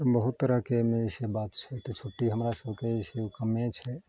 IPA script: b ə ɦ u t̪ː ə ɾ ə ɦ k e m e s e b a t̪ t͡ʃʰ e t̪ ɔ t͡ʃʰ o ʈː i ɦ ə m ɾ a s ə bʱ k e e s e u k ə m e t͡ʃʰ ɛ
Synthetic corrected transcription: b ə ɦ u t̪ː ə ɾ ə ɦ k e m e s e b a t̪ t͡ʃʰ ɛ t̪ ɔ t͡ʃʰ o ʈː i ɦ ə m ɾ a s ə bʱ k e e s e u k ə m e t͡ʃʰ ɛ